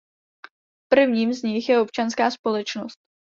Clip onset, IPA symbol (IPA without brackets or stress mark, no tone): p